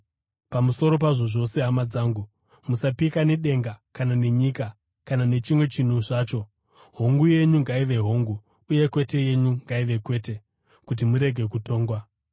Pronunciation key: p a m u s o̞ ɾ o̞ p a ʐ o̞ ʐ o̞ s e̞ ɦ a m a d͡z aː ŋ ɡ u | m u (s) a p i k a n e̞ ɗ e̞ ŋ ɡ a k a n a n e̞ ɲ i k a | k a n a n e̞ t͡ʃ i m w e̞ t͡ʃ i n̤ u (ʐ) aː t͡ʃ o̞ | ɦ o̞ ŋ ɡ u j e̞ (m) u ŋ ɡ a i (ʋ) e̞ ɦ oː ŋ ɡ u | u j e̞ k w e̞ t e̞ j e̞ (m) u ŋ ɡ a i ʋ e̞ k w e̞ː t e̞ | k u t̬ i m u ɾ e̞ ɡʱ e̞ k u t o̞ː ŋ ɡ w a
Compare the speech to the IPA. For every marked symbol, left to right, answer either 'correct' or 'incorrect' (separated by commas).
correct, correct, incorrect, correct, incorrect